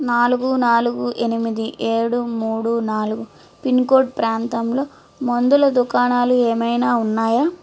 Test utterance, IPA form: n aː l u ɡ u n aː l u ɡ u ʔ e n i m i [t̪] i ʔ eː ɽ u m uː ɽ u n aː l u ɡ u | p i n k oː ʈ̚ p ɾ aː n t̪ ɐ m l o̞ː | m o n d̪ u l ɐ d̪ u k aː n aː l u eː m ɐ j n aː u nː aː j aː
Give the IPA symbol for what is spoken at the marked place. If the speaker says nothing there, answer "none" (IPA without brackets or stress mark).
d̪